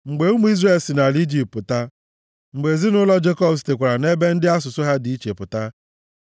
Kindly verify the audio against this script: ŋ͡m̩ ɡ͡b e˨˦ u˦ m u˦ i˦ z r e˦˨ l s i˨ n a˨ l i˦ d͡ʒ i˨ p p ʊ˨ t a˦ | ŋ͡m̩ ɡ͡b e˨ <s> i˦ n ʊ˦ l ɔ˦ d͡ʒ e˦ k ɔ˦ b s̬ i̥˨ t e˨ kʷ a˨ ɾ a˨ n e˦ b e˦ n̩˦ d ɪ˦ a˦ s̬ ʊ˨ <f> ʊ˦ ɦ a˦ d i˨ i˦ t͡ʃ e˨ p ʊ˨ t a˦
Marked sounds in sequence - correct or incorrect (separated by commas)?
incorrect, incorrect